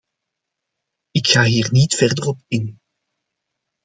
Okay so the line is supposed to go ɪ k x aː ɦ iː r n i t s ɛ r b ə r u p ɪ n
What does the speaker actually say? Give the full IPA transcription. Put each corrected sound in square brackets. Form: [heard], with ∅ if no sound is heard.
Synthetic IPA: ɪ k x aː ɦ iː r n i t [f] ɛ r [d] ə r [ɔ] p ɪ n